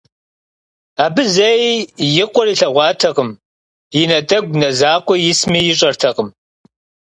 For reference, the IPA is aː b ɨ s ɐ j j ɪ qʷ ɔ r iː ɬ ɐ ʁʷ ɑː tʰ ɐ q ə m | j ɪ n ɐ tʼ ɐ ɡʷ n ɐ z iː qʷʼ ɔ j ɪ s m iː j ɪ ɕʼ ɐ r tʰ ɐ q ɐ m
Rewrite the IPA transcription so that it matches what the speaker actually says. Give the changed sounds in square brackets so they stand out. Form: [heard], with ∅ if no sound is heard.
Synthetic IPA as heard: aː b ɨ [z] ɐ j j ɪ qʷ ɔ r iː ɬ ɐ ʁʷ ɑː tʰ ɐ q ə m | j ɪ n ɐ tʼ ɐ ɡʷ n ɐ z [aː] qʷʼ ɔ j ɪ s m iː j ɪ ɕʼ ɐ r tʰ ɐ q [ə] m